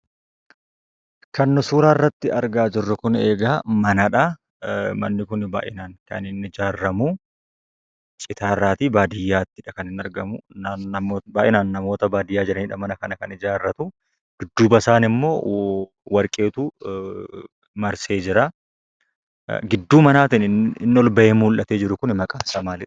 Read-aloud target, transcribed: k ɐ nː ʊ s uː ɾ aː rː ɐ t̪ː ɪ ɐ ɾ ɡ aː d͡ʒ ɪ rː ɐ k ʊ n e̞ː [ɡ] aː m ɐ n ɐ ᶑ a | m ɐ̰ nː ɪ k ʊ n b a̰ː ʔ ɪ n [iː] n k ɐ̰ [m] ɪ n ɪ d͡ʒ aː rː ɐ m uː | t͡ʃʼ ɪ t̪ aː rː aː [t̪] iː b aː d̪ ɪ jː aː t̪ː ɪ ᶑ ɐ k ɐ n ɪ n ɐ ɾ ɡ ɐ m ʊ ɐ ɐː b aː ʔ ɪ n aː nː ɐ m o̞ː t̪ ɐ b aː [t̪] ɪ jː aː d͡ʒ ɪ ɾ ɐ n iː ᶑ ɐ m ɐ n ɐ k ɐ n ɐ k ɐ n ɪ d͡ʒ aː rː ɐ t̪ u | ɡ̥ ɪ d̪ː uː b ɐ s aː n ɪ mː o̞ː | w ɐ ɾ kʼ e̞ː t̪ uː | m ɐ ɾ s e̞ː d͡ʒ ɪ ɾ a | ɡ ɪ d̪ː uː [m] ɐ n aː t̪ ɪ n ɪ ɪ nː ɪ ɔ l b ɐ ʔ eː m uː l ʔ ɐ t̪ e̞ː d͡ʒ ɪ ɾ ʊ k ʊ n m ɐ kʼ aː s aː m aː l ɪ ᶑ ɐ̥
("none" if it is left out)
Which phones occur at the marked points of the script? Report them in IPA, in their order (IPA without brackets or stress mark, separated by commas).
ɡ, aː, n, t̪, d̪, m